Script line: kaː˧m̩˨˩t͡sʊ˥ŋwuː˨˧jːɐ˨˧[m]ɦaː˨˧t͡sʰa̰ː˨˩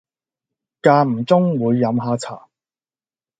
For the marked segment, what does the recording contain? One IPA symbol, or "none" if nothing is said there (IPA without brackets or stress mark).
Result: m